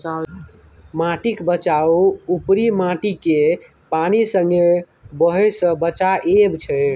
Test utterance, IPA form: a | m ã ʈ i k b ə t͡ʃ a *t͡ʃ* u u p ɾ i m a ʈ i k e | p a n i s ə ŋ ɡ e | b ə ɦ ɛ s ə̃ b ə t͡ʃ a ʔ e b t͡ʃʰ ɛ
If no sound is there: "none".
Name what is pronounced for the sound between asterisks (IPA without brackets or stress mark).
none